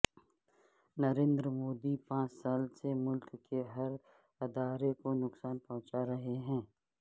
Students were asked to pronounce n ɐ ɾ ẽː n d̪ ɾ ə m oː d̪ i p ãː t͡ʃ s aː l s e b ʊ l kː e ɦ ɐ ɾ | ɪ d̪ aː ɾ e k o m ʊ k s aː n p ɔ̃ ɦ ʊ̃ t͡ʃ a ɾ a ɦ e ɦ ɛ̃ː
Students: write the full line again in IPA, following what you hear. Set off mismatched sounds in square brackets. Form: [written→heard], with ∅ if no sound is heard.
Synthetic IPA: n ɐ ɾ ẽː n d̪ ɾ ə m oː d̪ i p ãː t͡ʃ s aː l s e [b→m] ʊ l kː e ɦ ɐ ɾ | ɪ d̪ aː ɾ e k o [m→n] ʊ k s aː n p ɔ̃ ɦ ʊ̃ t͡ʃ a ɾ [a→ɐ] ɦ e ɦ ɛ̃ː